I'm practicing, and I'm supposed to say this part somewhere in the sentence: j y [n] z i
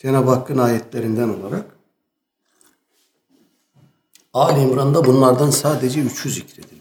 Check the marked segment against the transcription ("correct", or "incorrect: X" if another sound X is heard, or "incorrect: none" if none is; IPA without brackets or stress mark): incorrect: none